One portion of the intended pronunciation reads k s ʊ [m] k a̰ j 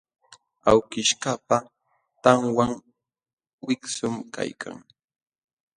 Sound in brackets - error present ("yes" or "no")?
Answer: no